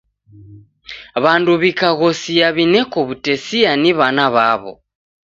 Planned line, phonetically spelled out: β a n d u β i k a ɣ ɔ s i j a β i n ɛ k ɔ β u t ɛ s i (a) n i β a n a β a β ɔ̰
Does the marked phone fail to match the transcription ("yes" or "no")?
no